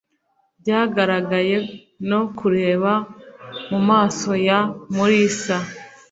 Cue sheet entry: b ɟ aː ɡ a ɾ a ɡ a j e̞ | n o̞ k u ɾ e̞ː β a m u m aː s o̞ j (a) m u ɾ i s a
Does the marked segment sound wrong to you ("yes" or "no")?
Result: no